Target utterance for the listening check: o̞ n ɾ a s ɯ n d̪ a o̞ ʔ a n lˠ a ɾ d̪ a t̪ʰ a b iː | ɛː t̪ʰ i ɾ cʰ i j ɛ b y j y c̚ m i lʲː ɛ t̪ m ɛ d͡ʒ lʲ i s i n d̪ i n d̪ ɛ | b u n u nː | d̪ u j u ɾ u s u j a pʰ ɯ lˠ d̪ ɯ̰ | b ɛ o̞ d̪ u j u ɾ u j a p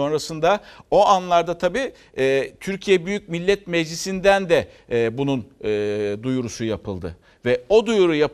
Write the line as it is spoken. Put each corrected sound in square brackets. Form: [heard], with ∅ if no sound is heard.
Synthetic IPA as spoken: o̞ n ɾ a s ɯ n d̪ a o̞ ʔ a n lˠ a ɾ d̪ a t̪ʰ a b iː | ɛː t̪ʰ [y] ɾ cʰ i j ɛ b y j y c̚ m i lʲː ɛ t̪ m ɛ d͡ʒ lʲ i s i n d̪ [æ] n d̪ ɛ | b u n u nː | d̪ u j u ɾ u s u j a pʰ ɯ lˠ d̪ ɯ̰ | [v] ɛ o̞ d̪ u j u ɾ u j a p